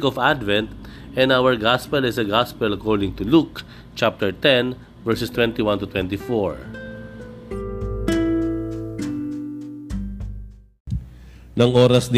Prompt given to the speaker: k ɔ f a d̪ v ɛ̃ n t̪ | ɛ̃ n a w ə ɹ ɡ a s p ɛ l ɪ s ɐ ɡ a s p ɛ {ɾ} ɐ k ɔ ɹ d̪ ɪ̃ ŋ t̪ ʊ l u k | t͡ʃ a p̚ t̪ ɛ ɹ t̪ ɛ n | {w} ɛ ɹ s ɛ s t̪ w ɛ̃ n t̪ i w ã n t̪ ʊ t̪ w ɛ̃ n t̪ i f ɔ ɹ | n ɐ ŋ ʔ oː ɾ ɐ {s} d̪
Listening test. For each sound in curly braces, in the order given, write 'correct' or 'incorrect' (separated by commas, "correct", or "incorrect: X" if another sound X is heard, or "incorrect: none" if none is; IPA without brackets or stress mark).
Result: incorrect: l, incorrect: v, correct